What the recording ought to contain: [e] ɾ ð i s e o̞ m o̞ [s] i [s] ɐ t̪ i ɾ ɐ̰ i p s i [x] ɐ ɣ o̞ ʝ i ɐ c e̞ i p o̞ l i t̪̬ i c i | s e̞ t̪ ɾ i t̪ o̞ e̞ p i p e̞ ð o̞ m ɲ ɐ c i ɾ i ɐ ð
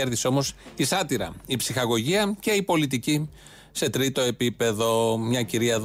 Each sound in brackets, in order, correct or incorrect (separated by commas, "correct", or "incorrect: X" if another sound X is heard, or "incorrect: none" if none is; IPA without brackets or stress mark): correct, correct, correct, correct